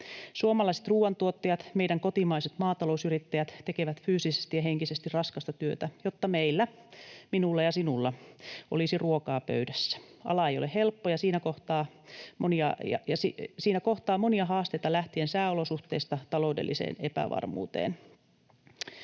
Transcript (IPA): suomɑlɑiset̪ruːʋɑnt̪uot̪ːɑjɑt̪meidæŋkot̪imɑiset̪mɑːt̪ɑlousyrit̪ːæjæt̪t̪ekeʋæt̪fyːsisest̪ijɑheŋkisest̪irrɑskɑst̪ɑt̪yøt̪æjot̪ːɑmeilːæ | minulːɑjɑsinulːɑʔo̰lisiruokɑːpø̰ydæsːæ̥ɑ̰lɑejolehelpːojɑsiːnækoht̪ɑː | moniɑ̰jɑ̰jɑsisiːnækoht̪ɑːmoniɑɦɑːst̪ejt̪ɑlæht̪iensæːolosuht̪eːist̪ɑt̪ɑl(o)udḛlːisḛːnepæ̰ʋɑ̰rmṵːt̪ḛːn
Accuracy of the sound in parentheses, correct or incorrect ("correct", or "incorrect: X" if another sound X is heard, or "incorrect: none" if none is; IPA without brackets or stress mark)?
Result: correct